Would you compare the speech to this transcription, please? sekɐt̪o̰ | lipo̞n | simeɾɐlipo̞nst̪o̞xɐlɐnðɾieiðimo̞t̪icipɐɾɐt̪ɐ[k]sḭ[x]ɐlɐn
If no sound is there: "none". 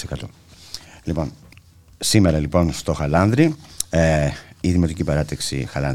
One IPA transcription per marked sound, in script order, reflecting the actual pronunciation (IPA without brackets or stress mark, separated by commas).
k, x